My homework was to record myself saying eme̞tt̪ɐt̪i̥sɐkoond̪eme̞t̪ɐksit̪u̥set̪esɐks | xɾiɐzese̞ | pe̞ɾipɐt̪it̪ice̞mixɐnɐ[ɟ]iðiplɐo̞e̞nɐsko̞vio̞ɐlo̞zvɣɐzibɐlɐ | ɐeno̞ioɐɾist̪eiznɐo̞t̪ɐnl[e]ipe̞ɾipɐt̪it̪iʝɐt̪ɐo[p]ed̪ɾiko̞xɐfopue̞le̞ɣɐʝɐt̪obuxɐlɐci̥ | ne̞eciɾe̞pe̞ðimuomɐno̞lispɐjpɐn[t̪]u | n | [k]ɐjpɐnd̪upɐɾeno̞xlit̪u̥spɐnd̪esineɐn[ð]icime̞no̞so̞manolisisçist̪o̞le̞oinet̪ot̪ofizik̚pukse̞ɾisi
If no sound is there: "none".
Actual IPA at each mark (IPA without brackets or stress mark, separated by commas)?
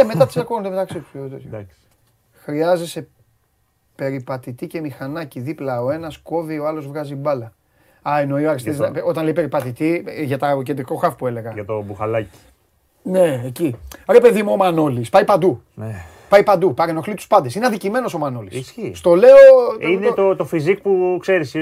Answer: c, e, c, d̪, p, ð